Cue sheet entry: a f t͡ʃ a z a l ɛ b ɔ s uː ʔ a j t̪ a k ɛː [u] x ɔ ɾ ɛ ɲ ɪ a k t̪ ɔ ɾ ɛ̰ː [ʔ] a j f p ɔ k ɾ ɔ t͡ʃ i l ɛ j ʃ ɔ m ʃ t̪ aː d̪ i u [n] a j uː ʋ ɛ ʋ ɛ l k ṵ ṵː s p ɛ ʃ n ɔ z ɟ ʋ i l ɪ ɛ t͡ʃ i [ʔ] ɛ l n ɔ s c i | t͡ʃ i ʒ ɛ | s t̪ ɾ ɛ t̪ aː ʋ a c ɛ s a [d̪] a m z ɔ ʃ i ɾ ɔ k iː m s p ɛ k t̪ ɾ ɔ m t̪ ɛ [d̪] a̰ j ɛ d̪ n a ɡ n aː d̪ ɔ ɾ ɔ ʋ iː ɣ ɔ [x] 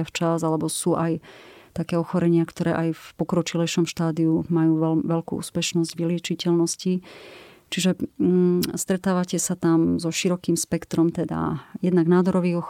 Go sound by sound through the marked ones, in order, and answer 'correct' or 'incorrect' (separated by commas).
incorrect, correct, incorrect, incorrect, incorrect, correct, correct